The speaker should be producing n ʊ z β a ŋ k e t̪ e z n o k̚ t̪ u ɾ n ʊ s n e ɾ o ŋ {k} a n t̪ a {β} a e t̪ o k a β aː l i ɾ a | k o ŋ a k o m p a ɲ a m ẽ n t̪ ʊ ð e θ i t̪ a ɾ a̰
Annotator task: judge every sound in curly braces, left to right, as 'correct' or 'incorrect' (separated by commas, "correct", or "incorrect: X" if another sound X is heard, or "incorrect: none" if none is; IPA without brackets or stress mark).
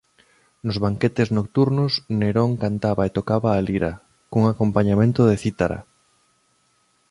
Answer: correct, correct